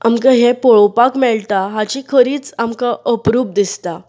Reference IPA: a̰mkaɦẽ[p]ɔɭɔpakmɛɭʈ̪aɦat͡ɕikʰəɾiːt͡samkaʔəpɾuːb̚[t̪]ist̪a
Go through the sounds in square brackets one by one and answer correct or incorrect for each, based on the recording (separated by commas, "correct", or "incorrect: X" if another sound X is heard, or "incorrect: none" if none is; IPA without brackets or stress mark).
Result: correct, incorrect: d̪